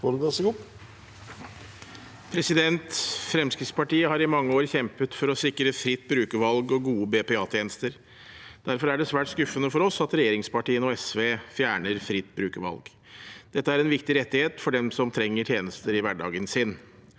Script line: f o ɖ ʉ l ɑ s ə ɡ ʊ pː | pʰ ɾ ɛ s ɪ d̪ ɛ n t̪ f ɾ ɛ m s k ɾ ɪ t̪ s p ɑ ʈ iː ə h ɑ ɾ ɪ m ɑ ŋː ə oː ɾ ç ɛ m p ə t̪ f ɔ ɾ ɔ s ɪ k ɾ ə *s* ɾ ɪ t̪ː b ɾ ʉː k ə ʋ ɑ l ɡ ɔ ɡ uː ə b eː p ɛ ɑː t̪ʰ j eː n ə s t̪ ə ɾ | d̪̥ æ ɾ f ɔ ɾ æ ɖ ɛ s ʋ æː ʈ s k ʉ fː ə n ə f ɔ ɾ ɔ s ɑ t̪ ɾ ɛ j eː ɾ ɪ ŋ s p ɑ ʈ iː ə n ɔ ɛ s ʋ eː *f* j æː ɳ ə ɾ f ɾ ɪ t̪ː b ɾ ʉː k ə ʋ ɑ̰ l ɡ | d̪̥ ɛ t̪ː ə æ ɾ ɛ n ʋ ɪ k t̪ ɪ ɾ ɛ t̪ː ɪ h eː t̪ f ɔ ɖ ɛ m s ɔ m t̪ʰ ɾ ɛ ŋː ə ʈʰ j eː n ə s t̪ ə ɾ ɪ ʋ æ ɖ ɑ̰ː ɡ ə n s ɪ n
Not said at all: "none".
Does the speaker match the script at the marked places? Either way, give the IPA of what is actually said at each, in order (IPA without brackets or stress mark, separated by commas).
f, f